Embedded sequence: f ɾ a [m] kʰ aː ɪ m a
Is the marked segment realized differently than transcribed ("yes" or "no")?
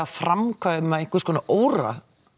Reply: no